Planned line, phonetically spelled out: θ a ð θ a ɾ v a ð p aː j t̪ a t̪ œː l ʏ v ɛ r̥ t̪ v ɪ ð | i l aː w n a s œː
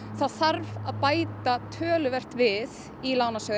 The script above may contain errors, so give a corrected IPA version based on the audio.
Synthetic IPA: θ a ð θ a ɾ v a ð p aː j t̪ a t̪ʰ œː l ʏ v ɛ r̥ t̪ v ɪ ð | i l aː w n a s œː

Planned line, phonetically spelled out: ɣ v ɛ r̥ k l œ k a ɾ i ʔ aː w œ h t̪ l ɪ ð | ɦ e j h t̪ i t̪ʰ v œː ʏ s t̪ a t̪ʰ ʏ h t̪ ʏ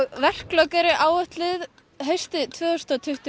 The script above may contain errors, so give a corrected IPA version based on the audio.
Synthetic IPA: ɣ v ɛ r̥ k l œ k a ɾ ɪ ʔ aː w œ h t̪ l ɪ ð | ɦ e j s t̪ ɪ t̪ʰ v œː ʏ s t̪ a t̪ʰ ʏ h t̪ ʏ

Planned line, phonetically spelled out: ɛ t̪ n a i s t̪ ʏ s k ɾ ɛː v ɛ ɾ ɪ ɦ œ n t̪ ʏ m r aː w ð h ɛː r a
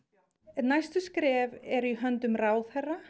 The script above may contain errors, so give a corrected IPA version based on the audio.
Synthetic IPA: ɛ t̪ n a j s t̪ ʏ s k ɾ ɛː v ɛ ɾ i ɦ œ n t̪ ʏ m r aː w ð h ɛ r a

